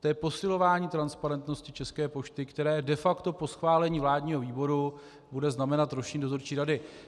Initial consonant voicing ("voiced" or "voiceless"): voiceless